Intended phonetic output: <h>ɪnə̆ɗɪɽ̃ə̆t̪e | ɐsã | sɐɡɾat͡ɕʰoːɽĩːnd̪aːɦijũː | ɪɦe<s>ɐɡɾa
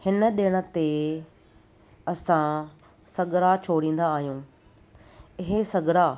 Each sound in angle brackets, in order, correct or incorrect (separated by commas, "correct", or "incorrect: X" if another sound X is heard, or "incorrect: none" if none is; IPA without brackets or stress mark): correct, correct